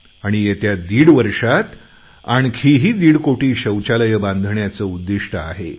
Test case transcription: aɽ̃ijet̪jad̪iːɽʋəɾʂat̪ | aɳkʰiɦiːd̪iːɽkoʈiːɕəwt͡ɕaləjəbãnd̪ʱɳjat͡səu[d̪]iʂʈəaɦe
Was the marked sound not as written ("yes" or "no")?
yes